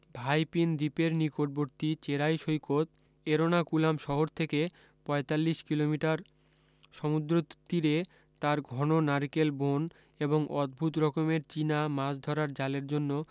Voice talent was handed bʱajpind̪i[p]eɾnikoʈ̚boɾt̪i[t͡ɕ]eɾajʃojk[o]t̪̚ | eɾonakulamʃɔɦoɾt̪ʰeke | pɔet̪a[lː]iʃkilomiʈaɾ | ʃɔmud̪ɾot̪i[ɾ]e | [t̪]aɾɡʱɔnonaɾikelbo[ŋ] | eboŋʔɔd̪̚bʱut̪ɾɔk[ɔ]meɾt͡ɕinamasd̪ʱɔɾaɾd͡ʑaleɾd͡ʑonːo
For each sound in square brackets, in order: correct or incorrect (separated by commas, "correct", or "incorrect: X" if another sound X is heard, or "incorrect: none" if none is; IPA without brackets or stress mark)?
correct, correct, correct, correct, correct, correct, incorrect: n, incorrect: o